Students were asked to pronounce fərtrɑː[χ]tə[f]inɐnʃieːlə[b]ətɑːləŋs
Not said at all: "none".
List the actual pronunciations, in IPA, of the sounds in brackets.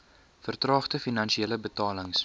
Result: χ, f, b

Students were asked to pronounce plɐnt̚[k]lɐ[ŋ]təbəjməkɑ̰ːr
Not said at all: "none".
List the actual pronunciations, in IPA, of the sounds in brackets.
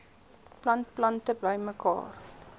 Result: p, n

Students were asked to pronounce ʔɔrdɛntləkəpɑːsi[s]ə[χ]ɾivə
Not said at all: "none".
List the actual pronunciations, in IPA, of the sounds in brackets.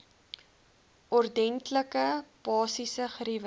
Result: s, χ

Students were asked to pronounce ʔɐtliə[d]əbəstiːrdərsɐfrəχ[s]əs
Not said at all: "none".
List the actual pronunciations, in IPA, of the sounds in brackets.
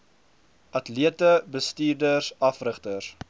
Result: t, t

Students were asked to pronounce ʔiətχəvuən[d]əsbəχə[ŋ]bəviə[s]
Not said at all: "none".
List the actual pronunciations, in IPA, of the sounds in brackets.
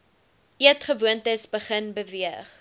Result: t, n, χ

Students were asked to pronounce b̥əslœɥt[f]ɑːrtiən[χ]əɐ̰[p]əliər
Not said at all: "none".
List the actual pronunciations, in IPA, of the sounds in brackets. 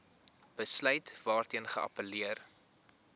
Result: v, χ, p

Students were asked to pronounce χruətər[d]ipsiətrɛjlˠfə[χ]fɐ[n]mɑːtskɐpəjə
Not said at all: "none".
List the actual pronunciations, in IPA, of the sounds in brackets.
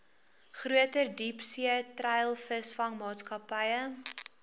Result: d, s, ŋ

